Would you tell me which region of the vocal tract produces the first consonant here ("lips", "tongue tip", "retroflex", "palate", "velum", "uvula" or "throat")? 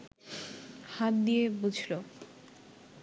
throat